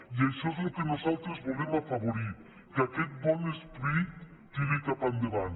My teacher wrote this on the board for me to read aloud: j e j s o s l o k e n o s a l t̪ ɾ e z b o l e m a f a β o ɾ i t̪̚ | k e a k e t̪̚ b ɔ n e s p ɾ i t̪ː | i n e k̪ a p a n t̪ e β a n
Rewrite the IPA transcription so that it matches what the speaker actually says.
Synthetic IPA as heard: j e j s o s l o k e n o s a l t̪ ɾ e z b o l e m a f a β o ɾ i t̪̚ | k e a k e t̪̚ b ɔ n e s p ɾ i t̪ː | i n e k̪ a p a n d̪ e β a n